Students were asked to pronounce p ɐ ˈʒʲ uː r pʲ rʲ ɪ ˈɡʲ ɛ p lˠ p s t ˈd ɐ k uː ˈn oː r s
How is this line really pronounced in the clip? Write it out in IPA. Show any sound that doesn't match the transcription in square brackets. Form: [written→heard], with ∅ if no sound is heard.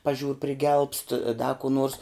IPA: p ɐ ˈʒʲ uː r pʲ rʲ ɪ ˈɡʲ ɛ [p→∅] lˠ p s t ˈd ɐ k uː ˈn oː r s